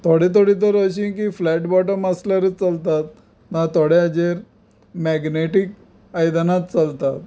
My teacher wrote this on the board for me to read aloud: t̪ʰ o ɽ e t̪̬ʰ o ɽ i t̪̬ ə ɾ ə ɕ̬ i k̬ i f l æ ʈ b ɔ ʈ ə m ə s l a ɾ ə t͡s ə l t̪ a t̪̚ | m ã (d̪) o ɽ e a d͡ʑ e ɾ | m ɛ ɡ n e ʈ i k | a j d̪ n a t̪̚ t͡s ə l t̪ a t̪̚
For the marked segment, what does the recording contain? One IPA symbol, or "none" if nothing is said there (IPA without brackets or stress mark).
t̪